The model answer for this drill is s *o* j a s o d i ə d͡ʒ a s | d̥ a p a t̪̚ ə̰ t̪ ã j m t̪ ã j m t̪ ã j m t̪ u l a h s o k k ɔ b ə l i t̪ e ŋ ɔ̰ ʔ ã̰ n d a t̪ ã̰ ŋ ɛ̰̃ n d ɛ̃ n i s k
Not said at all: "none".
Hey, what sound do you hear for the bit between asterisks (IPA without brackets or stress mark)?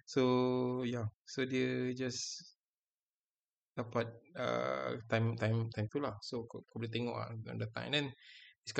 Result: o